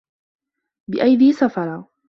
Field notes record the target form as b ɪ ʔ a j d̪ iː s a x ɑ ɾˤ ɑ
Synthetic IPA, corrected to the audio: b ɪ ʔ a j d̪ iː s a f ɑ ɾˤ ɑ